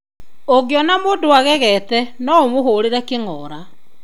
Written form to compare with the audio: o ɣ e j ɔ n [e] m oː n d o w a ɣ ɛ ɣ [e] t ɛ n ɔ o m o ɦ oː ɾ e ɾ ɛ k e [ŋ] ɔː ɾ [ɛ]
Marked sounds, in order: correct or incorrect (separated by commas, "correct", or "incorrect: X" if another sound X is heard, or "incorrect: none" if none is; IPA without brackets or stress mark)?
incorrect: a, incorrect: ɛ, correct, incorrect: a